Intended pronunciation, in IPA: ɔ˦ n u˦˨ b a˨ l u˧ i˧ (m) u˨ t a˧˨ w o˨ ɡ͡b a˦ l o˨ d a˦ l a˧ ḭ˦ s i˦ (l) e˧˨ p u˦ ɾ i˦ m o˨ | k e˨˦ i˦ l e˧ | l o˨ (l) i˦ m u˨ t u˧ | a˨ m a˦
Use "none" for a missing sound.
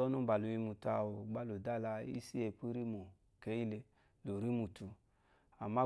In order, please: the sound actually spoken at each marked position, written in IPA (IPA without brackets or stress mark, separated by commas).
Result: m, none, ɾ